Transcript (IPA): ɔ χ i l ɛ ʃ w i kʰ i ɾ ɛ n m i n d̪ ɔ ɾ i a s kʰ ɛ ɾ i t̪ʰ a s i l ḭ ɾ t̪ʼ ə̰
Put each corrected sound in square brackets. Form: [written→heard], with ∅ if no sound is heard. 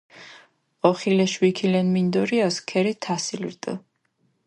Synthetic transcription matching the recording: ɔ χ i l ɛ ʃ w i kʰ i [ɾ→l] ɛ n m i n d̪ ɔ ɾ i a s kʰ ɛ ɾ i t̪ʰ a s i l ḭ ɾ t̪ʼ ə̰